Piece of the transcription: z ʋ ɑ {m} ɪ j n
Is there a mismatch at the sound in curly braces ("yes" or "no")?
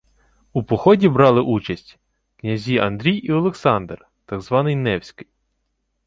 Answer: yes